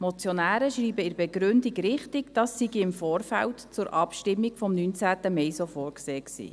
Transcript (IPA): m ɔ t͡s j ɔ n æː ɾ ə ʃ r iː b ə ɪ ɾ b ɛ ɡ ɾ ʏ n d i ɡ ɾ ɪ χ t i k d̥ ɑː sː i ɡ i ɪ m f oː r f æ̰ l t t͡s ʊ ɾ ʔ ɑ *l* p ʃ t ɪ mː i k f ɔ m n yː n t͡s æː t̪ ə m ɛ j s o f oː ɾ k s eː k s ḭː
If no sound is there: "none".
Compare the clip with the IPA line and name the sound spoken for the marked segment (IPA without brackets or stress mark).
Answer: none